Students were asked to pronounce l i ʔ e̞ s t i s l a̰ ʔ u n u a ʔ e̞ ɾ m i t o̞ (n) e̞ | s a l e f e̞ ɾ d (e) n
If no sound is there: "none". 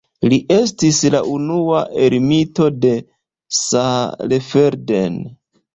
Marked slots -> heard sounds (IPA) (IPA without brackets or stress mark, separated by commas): d, e